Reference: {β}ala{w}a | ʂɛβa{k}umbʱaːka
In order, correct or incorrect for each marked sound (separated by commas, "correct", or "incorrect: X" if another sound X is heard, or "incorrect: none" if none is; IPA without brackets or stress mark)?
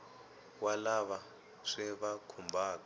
incorrect: w, incorrect: β, incorrect: kʰ